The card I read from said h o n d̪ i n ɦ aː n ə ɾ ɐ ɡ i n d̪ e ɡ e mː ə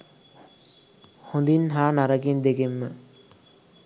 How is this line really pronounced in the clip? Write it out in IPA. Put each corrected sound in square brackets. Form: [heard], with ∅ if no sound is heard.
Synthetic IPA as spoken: h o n d̪ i n ɦ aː n [a] ɾ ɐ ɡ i n d̪ e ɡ e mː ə